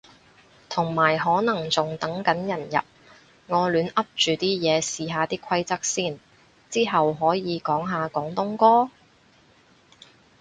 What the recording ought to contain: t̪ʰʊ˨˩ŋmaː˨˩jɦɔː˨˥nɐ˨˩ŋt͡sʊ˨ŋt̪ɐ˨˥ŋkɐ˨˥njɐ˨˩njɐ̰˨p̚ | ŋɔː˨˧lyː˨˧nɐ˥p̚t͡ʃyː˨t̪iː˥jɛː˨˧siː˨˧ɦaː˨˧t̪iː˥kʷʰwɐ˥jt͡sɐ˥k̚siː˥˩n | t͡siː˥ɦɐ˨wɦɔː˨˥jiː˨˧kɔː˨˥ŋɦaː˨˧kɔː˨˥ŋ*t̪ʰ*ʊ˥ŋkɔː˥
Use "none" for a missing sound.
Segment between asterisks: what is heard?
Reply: t̪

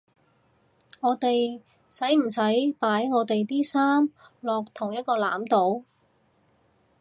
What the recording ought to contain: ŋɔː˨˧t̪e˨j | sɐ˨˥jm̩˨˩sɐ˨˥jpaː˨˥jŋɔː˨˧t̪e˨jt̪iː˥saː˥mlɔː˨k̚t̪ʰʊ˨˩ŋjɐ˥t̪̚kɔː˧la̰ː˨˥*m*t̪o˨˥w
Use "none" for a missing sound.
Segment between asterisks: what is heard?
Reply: m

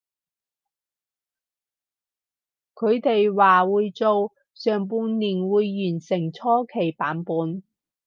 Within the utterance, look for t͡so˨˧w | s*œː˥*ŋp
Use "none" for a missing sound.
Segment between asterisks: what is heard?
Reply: œː˨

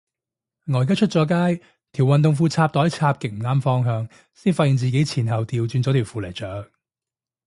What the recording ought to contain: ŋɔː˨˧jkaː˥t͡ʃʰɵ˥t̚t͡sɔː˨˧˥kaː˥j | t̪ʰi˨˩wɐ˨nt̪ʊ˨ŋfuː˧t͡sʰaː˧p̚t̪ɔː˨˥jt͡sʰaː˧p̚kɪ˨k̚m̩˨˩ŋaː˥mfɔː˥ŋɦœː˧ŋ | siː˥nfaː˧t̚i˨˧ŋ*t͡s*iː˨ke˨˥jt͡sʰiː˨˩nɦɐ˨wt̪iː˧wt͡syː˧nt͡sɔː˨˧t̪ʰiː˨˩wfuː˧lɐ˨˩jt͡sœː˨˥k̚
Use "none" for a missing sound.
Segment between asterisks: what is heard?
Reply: t͡s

